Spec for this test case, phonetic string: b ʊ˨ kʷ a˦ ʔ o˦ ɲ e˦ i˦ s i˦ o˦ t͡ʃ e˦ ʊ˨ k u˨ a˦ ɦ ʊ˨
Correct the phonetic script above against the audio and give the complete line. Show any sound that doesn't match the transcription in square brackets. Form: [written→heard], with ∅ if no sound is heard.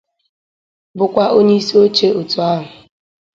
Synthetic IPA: b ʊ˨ kʷ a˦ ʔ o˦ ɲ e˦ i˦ s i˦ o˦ t͡ʃ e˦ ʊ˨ [k→t] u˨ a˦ ɦ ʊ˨

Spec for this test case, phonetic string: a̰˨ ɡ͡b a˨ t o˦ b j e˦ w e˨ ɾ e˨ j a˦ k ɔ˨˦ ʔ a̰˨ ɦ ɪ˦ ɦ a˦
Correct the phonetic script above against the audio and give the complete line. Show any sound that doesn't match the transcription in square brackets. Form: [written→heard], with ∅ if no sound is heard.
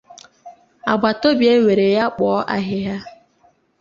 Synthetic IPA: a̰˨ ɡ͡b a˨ t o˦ b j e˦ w e˨ ɾ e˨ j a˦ [k→k͡p] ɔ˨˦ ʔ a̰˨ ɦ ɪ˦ ɦ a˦

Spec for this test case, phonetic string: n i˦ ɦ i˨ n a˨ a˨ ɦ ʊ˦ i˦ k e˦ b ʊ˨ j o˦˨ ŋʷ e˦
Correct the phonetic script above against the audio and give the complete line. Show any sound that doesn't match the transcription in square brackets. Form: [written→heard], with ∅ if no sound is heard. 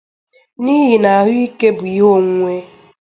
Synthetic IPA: n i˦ ɦ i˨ n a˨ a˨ ɦ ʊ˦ i˦ k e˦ b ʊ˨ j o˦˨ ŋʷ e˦

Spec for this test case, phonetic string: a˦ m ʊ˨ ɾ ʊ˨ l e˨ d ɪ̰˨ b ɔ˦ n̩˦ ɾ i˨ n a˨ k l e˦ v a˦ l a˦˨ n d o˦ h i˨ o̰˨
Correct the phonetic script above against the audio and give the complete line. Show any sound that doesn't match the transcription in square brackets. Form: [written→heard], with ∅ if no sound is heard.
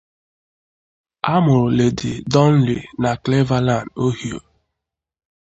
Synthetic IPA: a˦ m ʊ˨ ɾ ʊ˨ l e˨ d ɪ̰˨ [b→d] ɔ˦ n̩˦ [ɾ→l] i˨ n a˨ k l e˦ v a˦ l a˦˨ n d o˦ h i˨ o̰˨

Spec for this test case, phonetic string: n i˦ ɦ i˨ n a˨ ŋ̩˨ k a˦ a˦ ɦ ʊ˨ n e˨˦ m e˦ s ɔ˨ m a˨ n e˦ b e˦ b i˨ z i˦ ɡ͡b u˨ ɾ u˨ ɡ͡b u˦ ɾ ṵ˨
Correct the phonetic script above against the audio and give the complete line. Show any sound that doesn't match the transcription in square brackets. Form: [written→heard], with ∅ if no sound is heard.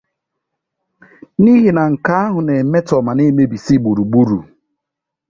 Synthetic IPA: n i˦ ɦ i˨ n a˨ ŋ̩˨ k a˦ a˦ ɦ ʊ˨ n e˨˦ m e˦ [s→t] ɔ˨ m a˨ n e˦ [b→m] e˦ b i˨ [z→s] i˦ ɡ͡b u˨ ɾ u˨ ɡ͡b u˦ ɾ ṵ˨

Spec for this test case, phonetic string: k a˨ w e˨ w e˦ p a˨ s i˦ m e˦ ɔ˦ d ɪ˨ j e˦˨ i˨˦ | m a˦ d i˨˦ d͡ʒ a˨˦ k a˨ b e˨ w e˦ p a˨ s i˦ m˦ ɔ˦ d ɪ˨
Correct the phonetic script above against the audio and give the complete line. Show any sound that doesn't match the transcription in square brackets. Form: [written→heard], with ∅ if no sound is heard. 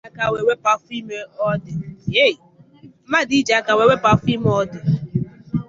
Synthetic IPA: k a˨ w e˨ w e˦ p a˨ [s→f] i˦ m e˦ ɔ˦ d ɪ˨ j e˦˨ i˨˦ | m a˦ d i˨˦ d͡ʒ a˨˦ k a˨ [b→w] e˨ w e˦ p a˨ [s→f] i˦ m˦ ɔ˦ d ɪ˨

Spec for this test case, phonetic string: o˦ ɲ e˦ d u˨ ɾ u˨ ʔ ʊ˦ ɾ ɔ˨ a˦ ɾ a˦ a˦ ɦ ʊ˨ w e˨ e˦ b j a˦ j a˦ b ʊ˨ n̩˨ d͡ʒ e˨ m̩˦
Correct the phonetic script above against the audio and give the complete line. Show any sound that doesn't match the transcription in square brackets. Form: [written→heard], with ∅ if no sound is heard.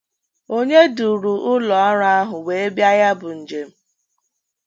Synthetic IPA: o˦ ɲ e˦ d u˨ ɾ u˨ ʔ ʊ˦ [ɾ→l] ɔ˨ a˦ ɾ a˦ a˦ ɦ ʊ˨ w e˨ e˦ b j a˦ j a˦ b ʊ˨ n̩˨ d͡ʒ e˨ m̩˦

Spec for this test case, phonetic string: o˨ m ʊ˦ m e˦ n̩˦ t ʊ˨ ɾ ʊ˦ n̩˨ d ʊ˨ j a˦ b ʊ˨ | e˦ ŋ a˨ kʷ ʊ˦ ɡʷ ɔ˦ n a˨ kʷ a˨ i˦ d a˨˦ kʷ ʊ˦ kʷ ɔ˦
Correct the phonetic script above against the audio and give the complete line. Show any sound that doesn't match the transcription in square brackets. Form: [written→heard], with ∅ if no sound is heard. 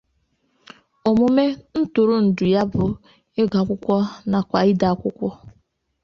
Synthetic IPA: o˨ m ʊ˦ m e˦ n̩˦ t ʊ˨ ɾ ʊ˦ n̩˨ d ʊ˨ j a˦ b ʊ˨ | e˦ [ŋ→ɡ] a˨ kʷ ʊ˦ [ɡʷ→kʷ] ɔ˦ n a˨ kʷ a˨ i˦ d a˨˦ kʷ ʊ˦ kʷ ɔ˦

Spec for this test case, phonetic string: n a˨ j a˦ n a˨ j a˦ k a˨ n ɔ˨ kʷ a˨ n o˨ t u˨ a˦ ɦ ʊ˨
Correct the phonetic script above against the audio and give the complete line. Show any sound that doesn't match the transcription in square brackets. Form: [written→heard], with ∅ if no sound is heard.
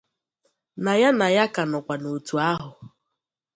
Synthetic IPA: n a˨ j a˦ n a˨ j a˦ k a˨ n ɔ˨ kʷ a˨ n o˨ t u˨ a˦ ɦ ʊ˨

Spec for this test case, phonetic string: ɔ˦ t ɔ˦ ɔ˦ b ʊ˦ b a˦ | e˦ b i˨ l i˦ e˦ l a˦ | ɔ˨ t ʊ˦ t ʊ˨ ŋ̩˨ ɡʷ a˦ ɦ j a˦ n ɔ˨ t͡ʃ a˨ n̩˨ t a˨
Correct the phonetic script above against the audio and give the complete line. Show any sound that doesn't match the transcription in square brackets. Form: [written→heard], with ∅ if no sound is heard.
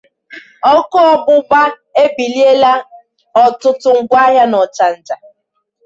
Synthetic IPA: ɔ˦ [t→k] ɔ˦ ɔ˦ b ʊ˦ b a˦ | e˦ b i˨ l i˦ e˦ l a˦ | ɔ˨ t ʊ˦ t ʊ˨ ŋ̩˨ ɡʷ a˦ ɦ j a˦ n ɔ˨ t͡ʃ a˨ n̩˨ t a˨

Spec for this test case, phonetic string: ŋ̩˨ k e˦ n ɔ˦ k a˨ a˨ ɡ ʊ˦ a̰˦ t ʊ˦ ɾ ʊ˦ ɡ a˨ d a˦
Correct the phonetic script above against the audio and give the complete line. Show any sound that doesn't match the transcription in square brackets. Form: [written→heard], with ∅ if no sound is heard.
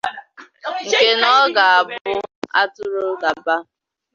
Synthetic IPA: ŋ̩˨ k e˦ n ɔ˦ [k→ɡ] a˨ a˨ [ɡ→b] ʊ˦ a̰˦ t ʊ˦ ɾ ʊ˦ ɡ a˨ [d→b] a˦

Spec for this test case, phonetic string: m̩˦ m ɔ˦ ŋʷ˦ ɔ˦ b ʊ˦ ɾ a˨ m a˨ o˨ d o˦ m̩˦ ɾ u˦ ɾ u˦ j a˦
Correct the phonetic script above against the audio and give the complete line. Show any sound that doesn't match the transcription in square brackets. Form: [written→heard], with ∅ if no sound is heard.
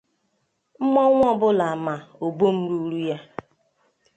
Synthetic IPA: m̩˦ m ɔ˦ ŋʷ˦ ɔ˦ b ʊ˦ [ɾ→l] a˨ m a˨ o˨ [d→b] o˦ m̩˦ ɾ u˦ ɾ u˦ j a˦

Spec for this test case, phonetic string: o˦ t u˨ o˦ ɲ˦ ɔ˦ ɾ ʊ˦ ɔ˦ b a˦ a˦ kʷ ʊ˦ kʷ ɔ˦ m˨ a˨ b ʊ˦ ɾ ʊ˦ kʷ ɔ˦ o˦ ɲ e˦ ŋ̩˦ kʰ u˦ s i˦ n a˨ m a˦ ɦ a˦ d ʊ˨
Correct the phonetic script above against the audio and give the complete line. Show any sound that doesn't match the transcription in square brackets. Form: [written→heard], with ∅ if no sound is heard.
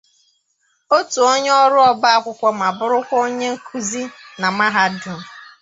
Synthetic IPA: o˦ t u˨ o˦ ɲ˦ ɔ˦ ɾ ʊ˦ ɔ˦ b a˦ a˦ kʷ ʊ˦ kʷ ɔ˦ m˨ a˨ b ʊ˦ ɾ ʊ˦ kʷ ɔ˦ o˦ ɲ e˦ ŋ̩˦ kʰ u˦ [s→z] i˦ n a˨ m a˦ ɦ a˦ d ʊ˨

